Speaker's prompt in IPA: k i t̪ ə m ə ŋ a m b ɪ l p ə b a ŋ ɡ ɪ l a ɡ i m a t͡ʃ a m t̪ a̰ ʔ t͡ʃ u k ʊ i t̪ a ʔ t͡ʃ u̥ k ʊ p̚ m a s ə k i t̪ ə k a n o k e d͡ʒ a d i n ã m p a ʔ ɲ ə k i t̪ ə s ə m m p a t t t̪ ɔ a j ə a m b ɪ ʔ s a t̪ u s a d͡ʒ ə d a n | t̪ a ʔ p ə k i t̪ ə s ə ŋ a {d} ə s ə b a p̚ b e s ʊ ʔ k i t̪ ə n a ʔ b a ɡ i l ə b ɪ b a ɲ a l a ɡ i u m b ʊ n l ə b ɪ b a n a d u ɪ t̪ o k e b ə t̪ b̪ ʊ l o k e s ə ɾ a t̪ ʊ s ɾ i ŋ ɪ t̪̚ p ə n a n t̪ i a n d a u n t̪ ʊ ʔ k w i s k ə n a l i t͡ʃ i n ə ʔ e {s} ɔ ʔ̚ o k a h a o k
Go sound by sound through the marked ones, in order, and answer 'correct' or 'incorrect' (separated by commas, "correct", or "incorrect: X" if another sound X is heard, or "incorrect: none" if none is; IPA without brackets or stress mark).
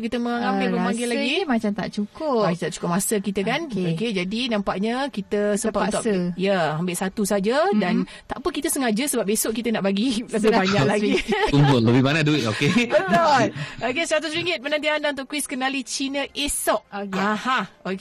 incorrect: d͡ʒ, correct